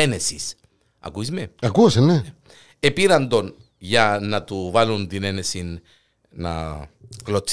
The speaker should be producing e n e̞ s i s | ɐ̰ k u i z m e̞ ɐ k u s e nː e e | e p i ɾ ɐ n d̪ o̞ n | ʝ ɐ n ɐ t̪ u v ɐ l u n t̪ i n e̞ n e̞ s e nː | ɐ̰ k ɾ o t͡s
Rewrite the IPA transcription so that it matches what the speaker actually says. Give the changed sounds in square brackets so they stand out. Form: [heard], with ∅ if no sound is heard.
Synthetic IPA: e n e̞ s i s | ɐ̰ k u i z m e̞ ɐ k u s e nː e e | e p i ɾ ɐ n d̪ o̞ n | ʝ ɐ n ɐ t̪ u v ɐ l u n t̪ i n e̞ n e̞ s [i] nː | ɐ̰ k [l] o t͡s